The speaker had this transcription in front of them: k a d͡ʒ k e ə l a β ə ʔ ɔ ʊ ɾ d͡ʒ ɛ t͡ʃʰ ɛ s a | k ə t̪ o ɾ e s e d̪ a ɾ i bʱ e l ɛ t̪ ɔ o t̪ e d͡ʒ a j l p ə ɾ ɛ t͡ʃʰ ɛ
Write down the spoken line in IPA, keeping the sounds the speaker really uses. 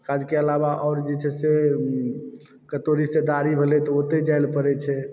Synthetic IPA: k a d͡ʒ k e ə l a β a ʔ ɔ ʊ ɾ d͡ʒ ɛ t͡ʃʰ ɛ s e | k ə t̪ o ɾ i s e d̪ a ɾ i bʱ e l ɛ t̪ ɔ o t̪ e d͡ʒ a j l p ə ɾ ɛ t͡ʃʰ ɛ